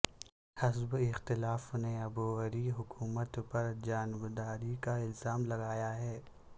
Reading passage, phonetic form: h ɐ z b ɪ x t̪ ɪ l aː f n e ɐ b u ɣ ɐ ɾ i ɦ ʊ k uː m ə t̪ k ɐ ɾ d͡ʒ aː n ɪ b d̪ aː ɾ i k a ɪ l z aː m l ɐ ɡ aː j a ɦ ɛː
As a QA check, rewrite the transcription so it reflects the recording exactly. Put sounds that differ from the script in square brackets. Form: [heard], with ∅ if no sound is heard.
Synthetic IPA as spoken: h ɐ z b ɪ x t̪ ɪ l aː f n e ɐ b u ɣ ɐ ɾ i ɦ ʊ k uː m ə t̪ [p] ɐ ɾ d͡ʒ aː n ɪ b d̪ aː ɾ i k a ɪ l z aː m l ɐ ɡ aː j a ɦ ɛː